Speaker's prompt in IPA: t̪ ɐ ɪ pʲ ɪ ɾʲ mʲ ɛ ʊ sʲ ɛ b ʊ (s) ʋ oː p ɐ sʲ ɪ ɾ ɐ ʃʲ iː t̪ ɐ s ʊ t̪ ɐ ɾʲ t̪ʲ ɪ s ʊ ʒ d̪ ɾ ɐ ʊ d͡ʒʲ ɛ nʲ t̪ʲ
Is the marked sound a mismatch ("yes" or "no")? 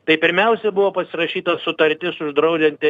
yes